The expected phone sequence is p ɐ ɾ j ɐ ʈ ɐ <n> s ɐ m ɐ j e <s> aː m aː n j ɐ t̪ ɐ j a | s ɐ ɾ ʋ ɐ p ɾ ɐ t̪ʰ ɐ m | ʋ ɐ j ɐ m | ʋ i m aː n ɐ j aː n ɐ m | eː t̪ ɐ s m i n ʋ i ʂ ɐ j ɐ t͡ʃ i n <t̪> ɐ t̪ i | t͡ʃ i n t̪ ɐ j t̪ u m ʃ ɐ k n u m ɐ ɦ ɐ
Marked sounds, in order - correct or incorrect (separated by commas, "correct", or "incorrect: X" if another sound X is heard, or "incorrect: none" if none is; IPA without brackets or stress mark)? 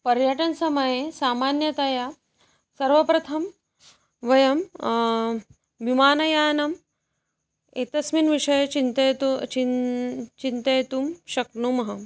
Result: correct, correct, correct